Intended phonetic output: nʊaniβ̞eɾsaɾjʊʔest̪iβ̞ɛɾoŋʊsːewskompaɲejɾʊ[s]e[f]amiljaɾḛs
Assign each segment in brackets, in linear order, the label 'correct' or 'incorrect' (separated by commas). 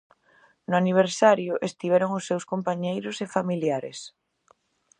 correct, correct